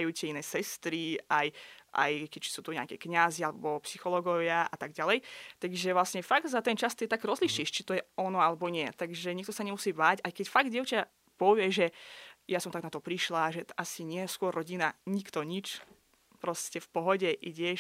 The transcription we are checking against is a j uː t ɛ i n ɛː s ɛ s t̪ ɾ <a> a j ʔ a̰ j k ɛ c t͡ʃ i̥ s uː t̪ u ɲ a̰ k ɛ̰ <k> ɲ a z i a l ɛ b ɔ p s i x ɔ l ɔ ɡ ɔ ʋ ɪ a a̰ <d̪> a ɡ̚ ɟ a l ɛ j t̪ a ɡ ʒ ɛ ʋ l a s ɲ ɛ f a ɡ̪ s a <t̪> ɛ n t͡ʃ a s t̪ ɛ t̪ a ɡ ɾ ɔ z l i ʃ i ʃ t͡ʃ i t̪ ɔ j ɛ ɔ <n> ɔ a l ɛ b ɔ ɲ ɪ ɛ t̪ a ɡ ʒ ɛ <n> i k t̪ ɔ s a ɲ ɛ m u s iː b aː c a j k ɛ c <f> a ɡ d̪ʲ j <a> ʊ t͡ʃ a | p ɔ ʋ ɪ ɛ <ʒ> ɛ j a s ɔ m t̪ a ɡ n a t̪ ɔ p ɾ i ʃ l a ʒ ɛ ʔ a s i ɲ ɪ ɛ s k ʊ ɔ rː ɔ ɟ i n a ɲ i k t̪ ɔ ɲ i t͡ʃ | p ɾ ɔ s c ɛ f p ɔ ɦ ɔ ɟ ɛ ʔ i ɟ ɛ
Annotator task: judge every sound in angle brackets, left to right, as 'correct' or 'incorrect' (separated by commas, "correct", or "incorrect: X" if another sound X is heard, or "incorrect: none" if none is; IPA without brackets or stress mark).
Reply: incorrect: i, correct, incorrect: t̪, correct, correct, incorrect: ɲ, correct, incorrect: ɛ, correct